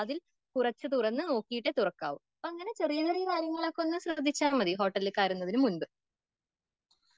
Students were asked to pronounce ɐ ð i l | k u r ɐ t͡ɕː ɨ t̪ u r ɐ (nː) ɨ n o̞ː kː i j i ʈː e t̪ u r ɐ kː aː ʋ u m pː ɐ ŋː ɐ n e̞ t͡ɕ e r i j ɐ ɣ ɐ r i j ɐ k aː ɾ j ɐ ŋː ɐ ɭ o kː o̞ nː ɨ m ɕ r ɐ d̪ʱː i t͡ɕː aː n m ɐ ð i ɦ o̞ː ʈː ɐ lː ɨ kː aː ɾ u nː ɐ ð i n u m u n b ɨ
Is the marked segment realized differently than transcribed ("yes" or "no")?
no